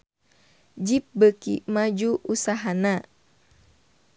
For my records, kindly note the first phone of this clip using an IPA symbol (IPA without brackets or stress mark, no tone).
d͡ʒ